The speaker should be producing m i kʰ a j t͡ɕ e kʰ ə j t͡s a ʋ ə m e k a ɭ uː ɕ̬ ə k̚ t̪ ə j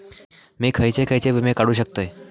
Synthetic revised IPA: m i kʰ ə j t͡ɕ e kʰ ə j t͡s e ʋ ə m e k a ɽ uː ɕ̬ ə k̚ t̪ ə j